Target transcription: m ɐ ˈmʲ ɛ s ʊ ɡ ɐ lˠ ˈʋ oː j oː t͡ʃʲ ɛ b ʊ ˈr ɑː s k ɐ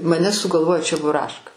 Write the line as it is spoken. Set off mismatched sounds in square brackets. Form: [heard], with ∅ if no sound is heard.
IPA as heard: m ɐ [ˈnʲ] ɛ s ʊ ɡ ɐ lˠ ˈʋ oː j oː t͡ʃʲ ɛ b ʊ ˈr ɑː [ʃ] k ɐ